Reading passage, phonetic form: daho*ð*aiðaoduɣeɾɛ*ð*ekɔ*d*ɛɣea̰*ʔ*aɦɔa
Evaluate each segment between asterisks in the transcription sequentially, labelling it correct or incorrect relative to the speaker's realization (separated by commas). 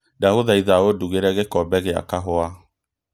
correct, incorrect, incorrect, incorrect